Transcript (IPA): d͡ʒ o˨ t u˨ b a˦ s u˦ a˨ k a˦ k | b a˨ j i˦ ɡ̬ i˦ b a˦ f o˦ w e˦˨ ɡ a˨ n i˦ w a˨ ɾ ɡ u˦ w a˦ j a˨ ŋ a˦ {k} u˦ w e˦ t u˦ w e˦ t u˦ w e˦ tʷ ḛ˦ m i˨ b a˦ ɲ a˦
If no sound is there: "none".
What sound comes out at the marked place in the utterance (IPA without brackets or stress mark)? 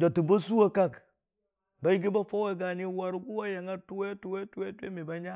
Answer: t